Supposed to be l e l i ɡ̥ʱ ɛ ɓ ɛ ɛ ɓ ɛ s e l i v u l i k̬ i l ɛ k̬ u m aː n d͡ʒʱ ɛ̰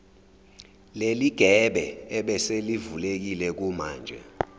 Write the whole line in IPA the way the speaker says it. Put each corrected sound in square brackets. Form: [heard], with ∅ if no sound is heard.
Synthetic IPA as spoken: l e l i ɡ̥ʱ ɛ ɓ ɛ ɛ ɓ ɛ s e l i v u l [e] k̬ i l ɛ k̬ u m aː n d͡ʒʱ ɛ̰